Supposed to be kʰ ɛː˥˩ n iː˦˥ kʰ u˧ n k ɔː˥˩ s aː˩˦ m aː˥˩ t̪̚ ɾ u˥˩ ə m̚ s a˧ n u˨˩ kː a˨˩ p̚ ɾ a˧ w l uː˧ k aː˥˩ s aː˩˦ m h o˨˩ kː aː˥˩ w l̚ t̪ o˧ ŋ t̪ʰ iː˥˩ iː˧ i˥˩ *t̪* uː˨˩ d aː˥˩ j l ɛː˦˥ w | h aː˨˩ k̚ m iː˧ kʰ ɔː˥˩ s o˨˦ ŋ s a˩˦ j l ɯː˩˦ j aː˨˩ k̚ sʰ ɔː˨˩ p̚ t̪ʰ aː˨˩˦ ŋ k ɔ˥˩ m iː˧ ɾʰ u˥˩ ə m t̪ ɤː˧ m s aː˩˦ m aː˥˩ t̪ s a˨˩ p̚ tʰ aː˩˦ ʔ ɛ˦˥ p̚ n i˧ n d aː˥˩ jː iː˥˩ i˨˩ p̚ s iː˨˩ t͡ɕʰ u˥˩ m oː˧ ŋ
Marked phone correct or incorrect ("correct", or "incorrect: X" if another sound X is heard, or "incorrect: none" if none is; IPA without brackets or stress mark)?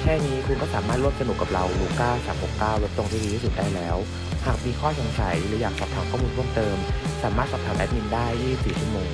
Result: incorrect: none